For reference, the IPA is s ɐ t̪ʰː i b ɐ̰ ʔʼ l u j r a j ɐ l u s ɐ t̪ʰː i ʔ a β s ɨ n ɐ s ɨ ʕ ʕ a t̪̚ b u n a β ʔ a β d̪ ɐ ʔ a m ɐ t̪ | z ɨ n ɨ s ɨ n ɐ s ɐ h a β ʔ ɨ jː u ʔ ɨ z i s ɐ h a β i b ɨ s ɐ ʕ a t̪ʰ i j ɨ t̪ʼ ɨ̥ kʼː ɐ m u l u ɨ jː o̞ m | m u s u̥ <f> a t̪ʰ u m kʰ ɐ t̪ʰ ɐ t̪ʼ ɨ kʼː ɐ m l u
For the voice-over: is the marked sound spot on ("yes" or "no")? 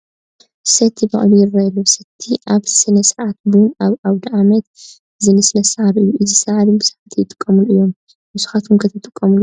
no